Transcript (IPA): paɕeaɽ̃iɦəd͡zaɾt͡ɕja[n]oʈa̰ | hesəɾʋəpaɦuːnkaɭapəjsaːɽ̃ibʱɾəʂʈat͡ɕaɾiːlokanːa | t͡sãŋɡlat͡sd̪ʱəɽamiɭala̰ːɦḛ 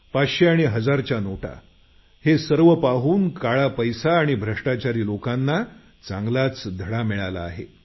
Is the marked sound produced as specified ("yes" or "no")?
yes